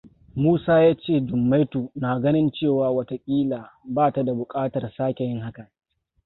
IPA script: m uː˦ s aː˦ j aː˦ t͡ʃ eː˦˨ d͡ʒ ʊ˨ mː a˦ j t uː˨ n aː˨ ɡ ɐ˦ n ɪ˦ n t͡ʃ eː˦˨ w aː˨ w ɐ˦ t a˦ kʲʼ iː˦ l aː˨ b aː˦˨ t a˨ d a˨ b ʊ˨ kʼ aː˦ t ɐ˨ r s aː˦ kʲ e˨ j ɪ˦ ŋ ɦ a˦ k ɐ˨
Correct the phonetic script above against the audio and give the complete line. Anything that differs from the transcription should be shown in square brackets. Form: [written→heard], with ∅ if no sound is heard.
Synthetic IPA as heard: m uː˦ s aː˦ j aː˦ t͡ʃ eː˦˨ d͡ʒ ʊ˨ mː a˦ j t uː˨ n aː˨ ɡ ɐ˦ n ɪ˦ n t͡ʃ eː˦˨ w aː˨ w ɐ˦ t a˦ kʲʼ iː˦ l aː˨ b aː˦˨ t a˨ d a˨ b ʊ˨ kʼ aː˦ t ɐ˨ r s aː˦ kʲ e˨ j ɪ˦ ŋ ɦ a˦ k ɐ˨